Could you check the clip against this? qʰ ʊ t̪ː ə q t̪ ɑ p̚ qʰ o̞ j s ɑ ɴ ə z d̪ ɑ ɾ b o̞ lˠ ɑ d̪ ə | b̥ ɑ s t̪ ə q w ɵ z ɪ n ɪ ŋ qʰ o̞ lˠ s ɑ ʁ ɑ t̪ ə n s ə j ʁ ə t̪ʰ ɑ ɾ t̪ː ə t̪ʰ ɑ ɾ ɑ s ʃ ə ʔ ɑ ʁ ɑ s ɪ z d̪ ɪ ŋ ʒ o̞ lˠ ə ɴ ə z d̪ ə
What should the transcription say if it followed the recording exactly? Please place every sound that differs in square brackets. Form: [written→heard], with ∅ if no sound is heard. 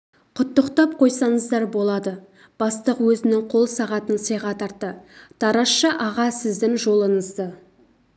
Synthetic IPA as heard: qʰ ʊ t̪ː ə q t̪ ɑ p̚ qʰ o̞ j s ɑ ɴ ə z d̪ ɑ ɾ b o̞ lˠ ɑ d̪ ə | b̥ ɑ s t̪ ə q w ɵ z ɪ n ɪ ŋ qʰ o̞ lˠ s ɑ ʁ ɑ t̪ ə n s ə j ʁ [ə→ɑ] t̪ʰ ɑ ɾ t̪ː ə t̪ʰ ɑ ɾ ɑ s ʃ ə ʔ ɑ ʁ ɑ s ɪ z d̪ ɪ ŋ ʒ o̞ lˠ ə ɴ ə z d̪ ə